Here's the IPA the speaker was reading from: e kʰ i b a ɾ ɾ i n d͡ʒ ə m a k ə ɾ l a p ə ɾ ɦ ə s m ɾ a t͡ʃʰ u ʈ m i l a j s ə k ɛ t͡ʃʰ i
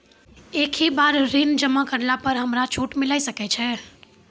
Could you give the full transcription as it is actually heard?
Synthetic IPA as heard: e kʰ i b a ɾ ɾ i n d͡ʒ ə m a k ə ɾ l a p ə ɾ ɦ ə m ɾ a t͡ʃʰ u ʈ m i l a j s ə k ɛ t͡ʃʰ ɛ